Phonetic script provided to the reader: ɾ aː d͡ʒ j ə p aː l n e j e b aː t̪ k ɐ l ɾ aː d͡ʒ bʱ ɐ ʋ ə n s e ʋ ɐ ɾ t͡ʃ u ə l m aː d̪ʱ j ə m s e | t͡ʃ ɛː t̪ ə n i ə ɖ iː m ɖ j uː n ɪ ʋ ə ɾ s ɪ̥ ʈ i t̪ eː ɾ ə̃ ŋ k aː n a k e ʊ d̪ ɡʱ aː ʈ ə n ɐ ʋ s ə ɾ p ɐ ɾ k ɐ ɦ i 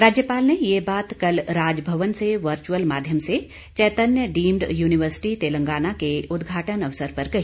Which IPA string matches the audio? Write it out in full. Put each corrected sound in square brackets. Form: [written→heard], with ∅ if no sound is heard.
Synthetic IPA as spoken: ɾ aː d͡ʒ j ə p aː l n e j e b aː t̪ k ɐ l ɾ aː d͡ʒ bʱ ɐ ʋ ə n s e ʋ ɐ ɾ t͡ʃ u ə l m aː d̪ʱ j ə m s e | t͡ʃ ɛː t̪ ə n [i→j] ə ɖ iː m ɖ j uː n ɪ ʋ ə ɾ s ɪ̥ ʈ i t̪ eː [ɾ→l] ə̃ ŋ [k→ɡ] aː n a k e ʊ d̪ ɡʱ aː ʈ ə n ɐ ʋ s ə ɾ p ɐ ɾ k ɐ ɦ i